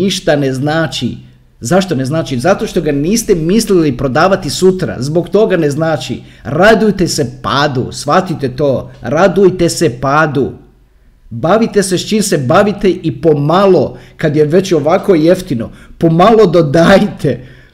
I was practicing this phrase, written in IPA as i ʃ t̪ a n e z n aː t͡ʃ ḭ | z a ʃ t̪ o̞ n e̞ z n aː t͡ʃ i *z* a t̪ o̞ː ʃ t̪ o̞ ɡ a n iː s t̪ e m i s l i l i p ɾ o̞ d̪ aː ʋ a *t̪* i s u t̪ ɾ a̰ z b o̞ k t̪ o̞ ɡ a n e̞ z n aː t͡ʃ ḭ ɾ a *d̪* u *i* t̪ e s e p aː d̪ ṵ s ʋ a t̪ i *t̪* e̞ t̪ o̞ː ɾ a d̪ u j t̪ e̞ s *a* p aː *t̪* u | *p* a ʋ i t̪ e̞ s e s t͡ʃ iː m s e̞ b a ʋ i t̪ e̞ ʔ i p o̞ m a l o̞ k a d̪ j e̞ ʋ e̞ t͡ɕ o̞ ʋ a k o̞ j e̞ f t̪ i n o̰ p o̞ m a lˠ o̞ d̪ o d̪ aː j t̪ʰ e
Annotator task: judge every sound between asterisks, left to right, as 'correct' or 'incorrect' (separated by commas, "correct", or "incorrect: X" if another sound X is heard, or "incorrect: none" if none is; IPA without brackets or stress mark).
correct, correct, correct, incorrect: j, correct, incorrect: e, incorrect: d̪, incorrect: b